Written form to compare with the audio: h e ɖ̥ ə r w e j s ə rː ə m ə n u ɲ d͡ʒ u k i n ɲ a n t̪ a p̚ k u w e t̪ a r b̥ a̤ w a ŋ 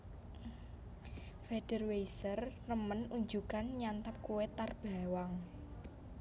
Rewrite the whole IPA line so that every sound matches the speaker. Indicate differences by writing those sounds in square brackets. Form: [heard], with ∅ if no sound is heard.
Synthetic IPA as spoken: [f] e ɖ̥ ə r w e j s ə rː ə m ə n u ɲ d͡ʒ u k [a] n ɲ a n t̪ a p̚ k u w e t̪ a r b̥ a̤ w a ŋ